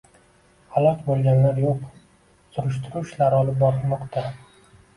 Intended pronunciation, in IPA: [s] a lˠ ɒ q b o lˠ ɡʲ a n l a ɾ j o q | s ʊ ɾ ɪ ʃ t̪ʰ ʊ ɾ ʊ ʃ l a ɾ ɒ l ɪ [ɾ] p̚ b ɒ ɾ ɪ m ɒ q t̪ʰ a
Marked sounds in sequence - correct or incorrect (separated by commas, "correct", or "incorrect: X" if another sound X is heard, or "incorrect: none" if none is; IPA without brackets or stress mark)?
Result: incorrect: h, incorrect: none